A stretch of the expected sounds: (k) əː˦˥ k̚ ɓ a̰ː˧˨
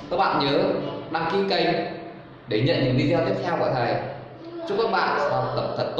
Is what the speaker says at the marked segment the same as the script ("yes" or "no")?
yes